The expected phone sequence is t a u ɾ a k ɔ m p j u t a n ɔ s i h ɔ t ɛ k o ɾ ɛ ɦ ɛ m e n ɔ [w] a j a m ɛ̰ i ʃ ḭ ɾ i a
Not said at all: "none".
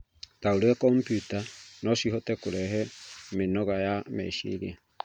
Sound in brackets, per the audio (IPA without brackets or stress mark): ɣ